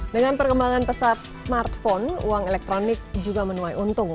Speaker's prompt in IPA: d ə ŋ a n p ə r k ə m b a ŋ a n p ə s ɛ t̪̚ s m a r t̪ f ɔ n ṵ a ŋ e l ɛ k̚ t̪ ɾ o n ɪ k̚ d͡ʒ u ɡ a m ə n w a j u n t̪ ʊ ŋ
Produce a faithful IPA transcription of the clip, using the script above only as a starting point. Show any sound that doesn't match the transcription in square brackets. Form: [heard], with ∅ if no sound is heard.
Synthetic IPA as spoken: d ə ŋ a n p ə r k ə m b a ŋ a n p ə s [a] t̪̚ s m a r t̪ f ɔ n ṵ a ŋ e l ɛ k̚ t̪ ɾ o n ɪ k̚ d͡ʒ u ɡ a m ə n [u] a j u n t̪ ʊ ŋ